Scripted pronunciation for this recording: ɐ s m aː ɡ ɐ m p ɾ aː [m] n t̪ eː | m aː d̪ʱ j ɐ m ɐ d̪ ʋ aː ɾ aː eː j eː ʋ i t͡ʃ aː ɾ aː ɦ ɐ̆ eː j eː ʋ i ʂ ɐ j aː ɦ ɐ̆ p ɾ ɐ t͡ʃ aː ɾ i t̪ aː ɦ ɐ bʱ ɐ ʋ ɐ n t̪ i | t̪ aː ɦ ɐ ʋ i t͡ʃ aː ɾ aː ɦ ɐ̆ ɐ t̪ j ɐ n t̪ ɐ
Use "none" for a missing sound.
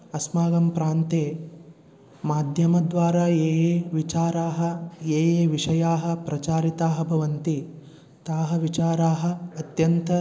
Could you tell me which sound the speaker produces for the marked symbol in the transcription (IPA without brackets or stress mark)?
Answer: none